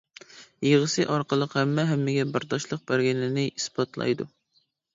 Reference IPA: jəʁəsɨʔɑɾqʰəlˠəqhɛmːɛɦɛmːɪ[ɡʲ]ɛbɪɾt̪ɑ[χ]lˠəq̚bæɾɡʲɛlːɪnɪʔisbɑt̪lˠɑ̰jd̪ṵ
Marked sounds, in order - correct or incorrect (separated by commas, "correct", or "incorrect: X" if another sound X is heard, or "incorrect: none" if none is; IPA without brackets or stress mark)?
correct, incorrect: ʃ